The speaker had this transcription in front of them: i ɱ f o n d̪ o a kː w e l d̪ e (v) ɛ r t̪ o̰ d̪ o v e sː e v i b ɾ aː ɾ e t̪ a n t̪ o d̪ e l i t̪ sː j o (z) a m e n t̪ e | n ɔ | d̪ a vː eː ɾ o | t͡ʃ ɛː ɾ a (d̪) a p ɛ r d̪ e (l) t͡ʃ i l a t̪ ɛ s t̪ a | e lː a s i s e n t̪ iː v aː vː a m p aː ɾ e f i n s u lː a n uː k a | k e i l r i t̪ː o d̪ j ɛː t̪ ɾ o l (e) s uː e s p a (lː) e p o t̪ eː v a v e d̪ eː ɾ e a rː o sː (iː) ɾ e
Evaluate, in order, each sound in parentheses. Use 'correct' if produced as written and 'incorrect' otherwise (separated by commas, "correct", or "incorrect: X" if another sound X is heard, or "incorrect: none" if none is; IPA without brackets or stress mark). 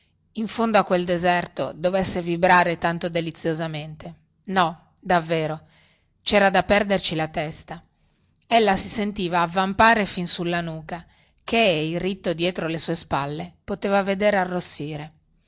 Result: incorrect: z, correct, correct, incorrect: r, correct, correct, correct